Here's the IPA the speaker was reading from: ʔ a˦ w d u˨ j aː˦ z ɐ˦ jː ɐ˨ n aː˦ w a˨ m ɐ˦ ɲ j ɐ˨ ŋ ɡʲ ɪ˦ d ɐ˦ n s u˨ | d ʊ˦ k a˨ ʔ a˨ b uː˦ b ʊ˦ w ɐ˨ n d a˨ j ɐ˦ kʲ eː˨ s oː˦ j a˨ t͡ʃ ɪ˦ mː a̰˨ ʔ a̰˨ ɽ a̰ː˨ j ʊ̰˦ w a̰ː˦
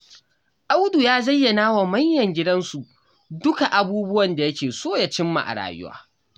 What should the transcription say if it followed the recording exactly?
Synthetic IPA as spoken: ʔ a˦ w d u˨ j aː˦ z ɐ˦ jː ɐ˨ n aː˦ w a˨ m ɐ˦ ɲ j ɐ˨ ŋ ɡʲ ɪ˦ d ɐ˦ n s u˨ | d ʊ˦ k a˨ ʔ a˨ b uː˦ b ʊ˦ w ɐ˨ n d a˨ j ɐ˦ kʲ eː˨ s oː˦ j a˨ t͡ʃ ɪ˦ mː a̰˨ ʔ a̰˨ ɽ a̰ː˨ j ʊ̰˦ w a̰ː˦